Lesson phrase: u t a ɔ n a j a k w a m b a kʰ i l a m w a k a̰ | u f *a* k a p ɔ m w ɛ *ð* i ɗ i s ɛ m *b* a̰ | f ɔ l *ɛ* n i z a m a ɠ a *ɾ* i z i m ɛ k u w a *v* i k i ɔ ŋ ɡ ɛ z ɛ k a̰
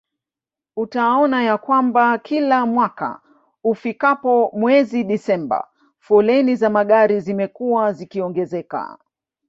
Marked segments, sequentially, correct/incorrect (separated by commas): incorrect, incorrect, correct, correct, correct, incorrect